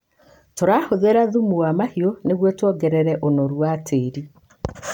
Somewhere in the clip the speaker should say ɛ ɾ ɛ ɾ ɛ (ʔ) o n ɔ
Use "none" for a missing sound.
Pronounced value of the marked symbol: ʔ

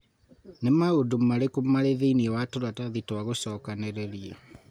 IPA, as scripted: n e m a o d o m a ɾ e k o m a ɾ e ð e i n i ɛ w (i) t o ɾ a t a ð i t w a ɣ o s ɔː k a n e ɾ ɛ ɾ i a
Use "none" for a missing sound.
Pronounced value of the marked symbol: a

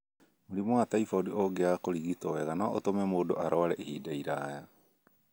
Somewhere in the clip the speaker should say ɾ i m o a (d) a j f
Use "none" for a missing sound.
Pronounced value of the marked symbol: t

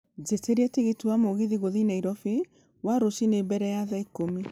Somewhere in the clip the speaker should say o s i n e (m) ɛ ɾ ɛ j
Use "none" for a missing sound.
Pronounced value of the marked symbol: b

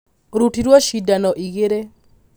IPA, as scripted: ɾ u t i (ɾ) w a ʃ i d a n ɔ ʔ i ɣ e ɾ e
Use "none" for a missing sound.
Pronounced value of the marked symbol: ɾ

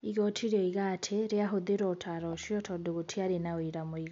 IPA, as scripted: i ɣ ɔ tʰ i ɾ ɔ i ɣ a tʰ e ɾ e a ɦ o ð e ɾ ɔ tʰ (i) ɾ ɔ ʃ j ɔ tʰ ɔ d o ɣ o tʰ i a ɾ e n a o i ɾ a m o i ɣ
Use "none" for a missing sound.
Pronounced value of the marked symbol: a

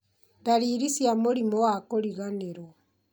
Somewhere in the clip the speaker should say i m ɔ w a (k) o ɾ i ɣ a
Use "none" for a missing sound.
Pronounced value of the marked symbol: k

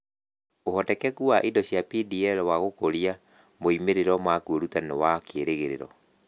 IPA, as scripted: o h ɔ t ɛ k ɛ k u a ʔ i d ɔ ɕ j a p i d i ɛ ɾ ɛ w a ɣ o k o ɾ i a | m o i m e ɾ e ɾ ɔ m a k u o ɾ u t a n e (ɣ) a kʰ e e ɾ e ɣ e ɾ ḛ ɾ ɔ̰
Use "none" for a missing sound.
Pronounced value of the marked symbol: w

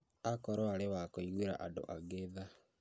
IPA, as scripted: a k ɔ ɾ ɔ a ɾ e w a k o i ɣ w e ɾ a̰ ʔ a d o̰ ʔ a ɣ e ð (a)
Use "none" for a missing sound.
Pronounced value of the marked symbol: a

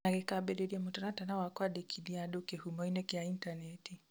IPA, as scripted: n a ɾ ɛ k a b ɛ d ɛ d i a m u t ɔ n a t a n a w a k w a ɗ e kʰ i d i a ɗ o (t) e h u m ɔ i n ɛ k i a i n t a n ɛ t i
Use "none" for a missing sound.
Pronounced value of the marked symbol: k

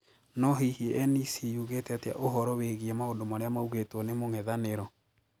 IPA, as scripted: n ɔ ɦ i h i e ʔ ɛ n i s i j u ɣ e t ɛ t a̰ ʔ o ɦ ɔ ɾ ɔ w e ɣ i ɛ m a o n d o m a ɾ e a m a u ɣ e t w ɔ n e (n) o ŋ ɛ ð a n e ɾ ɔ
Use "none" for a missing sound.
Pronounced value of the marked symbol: m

